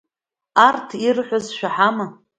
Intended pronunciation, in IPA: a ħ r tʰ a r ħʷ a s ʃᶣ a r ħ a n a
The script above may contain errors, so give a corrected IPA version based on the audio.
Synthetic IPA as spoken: a r tʰ i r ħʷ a z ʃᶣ a ħ a m a